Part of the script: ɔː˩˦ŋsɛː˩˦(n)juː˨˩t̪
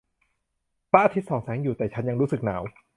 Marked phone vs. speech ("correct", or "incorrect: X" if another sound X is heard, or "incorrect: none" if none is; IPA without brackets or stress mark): incorrect: ŋ